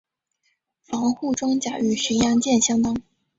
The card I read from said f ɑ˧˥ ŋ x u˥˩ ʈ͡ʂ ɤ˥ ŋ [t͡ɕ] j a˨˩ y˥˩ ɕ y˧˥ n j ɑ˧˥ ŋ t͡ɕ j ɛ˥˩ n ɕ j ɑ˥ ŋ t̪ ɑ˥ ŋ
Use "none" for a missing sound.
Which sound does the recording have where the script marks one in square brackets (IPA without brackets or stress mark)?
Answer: t͡ɕ